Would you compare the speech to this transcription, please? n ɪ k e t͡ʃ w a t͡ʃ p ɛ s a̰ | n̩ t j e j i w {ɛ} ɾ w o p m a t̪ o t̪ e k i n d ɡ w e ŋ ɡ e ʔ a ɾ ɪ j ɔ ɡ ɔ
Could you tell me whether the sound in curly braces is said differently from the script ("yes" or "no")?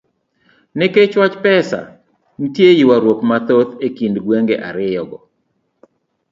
yes